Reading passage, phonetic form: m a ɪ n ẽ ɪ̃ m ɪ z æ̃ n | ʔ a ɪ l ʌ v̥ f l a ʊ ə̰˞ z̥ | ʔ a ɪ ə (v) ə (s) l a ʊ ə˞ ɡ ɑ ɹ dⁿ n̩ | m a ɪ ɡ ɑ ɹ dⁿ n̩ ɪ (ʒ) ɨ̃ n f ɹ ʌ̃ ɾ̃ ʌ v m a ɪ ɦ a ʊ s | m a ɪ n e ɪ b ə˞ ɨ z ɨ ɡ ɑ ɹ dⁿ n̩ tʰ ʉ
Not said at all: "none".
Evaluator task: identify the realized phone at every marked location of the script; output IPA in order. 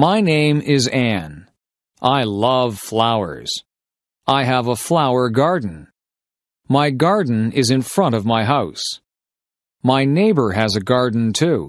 v, f, z

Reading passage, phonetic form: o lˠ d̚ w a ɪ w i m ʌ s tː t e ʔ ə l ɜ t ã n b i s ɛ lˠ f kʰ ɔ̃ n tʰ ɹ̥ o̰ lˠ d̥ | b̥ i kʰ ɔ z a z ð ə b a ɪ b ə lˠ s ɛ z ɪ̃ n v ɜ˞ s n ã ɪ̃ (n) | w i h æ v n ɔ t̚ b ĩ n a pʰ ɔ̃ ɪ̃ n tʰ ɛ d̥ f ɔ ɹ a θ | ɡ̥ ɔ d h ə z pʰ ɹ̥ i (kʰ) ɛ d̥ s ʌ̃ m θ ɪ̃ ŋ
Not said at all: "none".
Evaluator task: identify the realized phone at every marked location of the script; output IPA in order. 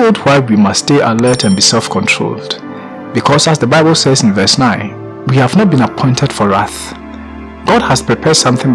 n, pʰ

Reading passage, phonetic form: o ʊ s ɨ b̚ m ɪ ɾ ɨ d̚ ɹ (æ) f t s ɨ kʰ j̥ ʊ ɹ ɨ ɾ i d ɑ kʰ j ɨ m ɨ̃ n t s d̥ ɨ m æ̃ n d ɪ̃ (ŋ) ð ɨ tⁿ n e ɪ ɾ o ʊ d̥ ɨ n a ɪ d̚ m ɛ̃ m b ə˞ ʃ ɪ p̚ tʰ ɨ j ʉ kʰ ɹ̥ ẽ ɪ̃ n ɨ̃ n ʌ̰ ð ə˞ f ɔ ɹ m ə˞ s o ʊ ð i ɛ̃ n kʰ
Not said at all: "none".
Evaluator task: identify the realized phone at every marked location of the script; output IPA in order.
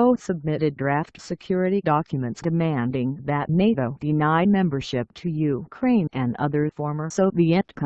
æ, ŋ

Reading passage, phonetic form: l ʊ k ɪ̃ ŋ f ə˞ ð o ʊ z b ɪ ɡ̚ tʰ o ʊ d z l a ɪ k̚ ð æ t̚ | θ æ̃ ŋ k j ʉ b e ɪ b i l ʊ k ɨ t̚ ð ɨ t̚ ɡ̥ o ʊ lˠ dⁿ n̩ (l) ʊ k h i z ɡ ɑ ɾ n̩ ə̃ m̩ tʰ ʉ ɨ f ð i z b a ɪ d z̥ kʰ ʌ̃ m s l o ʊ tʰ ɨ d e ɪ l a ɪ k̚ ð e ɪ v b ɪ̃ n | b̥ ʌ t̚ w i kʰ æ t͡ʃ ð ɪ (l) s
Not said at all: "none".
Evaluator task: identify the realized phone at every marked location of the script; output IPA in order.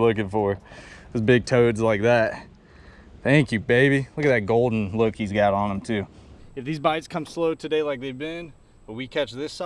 l, none

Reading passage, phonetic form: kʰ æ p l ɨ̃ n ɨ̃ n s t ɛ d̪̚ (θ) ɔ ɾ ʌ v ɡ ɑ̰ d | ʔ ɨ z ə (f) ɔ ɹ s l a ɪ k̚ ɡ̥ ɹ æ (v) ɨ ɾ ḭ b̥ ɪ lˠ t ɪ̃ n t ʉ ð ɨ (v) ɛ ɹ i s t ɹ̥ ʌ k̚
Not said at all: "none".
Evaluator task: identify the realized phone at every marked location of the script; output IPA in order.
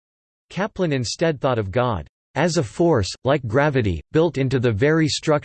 θ, f, v, v

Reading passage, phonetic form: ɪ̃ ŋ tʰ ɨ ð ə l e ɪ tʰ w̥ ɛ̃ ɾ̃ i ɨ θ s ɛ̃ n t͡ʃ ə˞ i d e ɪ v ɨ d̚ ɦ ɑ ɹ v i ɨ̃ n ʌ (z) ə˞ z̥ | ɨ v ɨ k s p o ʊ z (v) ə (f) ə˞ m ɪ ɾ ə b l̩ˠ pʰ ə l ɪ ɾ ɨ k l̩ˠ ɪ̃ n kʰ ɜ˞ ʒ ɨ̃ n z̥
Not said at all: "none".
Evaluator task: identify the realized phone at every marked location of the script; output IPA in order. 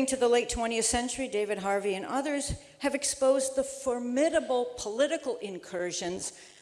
ð, ð, f

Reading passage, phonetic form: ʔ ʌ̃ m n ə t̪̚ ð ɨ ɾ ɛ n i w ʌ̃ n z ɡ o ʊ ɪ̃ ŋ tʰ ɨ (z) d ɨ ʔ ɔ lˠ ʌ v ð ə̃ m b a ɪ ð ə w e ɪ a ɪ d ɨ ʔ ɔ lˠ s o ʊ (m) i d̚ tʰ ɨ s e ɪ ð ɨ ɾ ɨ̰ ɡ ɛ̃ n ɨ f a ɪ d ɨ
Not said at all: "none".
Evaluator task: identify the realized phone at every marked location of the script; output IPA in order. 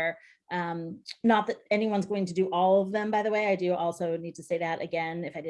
none, n

